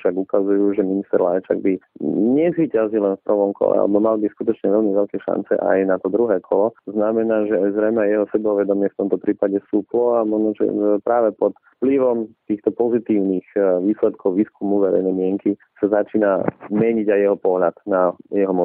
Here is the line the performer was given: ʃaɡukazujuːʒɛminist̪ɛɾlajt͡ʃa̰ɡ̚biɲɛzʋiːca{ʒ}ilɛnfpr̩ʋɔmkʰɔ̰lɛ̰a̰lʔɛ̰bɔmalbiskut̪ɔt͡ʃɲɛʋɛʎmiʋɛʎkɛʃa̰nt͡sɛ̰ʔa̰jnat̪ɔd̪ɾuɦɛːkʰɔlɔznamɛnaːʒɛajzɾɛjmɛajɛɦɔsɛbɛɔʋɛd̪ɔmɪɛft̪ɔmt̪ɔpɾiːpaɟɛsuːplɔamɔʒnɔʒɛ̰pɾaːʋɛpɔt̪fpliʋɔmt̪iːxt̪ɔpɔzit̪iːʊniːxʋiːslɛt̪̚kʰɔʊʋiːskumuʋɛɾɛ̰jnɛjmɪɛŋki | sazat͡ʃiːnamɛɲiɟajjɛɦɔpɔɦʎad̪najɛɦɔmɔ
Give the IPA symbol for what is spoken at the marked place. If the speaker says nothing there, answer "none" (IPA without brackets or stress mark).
z